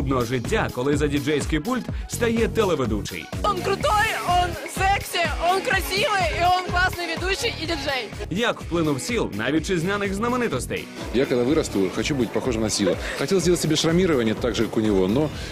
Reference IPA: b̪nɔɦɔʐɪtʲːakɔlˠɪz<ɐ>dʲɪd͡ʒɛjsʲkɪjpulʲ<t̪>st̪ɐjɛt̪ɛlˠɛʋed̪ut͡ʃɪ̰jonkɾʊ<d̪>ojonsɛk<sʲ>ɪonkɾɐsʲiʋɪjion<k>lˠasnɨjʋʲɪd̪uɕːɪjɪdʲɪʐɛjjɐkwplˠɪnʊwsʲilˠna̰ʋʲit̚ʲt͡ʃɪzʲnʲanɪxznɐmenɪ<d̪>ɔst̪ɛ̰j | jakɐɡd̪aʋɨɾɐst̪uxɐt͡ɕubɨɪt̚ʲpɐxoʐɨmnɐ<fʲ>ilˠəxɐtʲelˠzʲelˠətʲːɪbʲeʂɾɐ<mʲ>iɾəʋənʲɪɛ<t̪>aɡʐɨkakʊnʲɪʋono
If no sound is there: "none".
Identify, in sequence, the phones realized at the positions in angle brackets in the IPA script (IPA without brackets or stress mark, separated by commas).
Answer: ɐ, t̪, t̪, sʲ, k, t̪, sʲ, mʲ, t̪